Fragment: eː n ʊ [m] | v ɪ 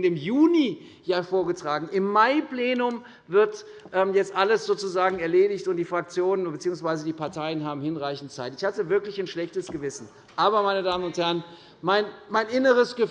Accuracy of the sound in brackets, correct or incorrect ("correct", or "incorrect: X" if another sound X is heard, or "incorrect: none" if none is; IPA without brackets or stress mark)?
correct